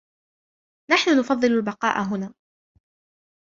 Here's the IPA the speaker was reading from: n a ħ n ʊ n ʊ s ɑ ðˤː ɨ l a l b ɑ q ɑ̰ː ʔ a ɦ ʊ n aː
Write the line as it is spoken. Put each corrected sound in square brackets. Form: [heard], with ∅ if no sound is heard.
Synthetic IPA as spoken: n a ħ n ʊ n ʊ [f] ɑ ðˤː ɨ l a l b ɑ q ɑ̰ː ʔ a ɦ ʊ n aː